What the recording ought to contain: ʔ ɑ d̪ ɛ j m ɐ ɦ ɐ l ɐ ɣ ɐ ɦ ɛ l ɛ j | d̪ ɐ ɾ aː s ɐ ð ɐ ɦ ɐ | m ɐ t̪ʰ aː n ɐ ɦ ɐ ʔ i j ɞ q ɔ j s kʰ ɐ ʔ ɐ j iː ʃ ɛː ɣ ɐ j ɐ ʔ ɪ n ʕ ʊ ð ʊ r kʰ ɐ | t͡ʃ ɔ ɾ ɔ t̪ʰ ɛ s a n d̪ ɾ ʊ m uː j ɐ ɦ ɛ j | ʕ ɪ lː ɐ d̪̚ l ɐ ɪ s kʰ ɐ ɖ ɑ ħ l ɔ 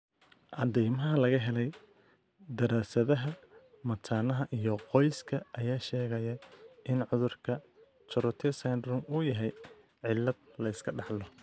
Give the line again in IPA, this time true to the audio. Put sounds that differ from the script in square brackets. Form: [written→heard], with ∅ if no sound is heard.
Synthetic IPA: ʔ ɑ d̪ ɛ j m ɐ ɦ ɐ l ɐ ɣ ɐ ɦ ɛ l ɛ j | d̪ ɐ ɾ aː s ɐ ð ɐ ɦ ɐ | m ɐ t̪ʰ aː n ɐ ɦ ɐ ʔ i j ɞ q ɔ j s kʰ ɐ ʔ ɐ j [iː→aː] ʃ ɛː ɣ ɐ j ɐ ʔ ɪ n ʕ ʊ ð ʊ r kʰ ɐ | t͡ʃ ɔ ɾ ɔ t̪ʰ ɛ s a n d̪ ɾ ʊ m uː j ɐ ɦ ɛ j | ʕ ɪ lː ɐ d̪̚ l ɐ ɪ s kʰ ɐ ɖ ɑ ħ l ɔ